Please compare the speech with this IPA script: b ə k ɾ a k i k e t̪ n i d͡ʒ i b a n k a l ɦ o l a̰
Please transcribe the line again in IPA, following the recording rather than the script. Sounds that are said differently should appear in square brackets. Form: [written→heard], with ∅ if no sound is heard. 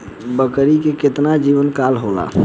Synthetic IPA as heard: b ə k ɾ [a→i] k [i→e] k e t̪ n [i→a] d͡ʒ i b [a→ə] n k a l ɦ o l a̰